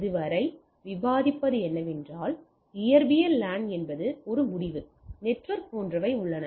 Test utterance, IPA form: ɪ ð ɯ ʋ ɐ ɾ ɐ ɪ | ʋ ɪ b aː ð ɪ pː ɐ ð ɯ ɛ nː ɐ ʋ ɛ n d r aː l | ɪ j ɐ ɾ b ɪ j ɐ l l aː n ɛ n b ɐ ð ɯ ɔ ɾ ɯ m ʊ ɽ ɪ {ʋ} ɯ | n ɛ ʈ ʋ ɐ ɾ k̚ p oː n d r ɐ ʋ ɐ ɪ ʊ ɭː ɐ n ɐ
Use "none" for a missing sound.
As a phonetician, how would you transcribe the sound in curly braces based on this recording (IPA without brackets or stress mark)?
ʋ